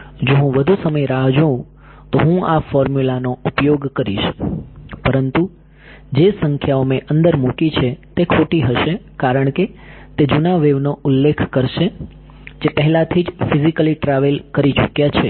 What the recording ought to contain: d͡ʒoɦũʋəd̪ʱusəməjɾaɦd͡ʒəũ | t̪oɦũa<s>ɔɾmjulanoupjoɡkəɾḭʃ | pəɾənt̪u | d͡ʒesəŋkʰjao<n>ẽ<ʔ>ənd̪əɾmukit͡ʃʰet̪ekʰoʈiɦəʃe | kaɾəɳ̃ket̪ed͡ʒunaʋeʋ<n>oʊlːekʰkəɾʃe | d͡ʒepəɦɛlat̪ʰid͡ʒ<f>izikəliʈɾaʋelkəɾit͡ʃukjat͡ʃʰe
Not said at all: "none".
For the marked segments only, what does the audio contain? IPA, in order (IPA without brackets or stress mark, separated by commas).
f, m, ʔ, n, f